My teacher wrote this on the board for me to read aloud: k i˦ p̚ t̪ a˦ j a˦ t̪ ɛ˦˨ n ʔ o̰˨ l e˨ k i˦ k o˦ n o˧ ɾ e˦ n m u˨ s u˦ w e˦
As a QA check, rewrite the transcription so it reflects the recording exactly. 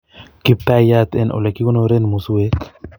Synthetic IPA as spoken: k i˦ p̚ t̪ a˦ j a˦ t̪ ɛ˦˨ n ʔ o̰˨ l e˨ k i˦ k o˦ n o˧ ɾ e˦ n m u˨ s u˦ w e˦